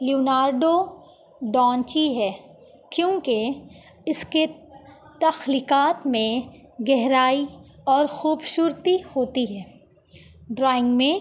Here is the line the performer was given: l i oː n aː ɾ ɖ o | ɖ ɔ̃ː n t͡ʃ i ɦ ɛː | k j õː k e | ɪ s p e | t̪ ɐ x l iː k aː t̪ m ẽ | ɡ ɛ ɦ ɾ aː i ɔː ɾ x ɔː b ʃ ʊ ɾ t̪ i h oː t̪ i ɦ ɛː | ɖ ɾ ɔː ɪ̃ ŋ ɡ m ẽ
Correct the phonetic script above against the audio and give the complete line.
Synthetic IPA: l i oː n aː ɾ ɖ o | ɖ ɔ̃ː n t͡ʃ i ɦ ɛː | k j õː k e | ɪ s k e | t̪ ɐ x l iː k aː t̪ m ẽ | ɡ ɛ ɦ ɾ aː i ɔː ɾ x uː b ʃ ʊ ɾ t̪ i h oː t̪ i ɦ ɛː | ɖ ɾ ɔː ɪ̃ ŋ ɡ m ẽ